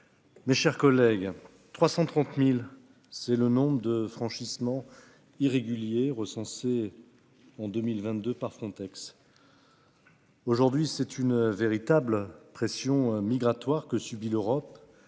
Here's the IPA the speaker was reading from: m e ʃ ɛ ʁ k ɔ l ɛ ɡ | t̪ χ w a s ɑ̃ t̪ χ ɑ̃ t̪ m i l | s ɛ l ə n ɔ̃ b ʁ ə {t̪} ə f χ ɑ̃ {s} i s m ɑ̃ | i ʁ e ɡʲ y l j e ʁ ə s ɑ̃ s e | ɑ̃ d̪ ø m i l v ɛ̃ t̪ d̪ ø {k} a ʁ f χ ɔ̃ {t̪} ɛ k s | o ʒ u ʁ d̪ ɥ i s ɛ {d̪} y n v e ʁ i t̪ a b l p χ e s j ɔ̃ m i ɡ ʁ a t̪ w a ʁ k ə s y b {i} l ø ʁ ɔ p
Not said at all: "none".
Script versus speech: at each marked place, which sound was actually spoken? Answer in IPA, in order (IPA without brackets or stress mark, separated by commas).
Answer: d̪, ʃ, p, t̪, t̪, i